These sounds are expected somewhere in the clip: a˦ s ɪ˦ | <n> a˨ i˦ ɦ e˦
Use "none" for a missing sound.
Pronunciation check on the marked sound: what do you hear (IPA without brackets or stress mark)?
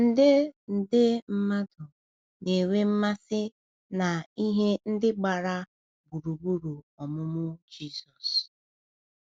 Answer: n